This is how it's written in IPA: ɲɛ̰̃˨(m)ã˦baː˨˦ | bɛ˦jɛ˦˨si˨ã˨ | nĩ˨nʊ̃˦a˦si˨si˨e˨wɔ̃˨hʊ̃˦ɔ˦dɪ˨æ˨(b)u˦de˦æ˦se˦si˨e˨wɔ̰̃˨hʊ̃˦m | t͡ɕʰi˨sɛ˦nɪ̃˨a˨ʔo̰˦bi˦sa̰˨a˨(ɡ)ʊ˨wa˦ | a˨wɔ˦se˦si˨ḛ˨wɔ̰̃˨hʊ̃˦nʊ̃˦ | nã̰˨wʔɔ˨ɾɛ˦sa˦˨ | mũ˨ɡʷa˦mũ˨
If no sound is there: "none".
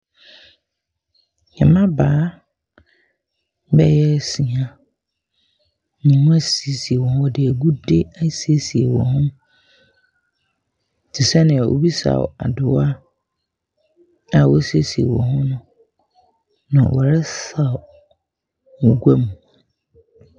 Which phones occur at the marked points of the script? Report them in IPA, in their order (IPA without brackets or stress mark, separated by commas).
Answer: m, ɡ, d